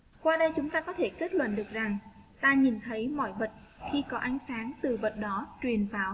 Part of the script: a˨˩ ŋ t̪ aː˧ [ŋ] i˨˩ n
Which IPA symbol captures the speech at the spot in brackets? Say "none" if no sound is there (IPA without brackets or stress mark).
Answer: ɲ